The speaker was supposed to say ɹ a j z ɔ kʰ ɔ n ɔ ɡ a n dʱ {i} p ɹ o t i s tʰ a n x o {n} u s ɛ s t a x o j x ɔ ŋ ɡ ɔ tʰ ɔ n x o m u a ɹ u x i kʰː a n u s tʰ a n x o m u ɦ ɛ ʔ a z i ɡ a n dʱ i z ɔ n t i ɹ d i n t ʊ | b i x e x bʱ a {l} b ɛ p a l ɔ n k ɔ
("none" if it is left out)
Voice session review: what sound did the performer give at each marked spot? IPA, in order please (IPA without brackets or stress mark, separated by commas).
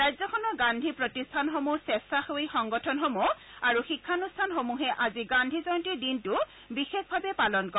i, m, none